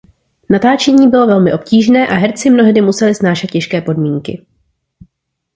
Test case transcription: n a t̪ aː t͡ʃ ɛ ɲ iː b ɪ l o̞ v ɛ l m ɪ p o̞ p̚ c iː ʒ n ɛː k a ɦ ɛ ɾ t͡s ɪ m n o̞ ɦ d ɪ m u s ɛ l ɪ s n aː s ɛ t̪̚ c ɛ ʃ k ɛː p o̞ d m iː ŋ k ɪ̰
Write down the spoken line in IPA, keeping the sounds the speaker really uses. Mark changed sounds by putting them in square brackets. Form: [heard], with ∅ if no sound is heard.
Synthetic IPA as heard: n a t̪ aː t͡ʃ ɛ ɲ iː b ɪ l o̞ v ɛ l m ɪ [ʔ] o̞ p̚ c iː ʒ n ɛː [ʔ] a ɦ ɛ ɾ t͡s ɪ m n o̞ ɦ d ɪ m u s ɛ l ɪ s n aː [ʃ] ɛ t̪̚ c ɛ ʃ k ɛː p o̞ d m iː ŋ k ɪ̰